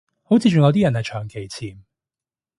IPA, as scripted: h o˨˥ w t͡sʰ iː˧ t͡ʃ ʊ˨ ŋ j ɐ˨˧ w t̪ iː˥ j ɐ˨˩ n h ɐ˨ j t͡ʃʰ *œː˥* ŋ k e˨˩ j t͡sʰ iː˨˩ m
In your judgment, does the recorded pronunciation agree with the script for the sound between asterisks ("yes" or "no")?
no